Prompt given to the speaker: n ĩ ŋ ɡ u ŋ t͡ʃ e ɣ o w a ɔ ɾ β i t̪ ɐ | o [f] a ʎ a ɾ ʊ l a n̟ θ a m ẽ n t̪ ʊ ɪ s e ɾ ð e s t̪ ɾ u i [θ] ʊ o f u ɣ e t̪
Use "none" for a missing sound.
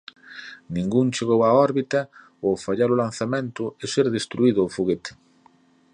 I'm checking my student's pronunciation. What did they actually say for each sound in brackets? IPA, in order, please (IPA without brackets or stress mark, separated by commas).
f, ð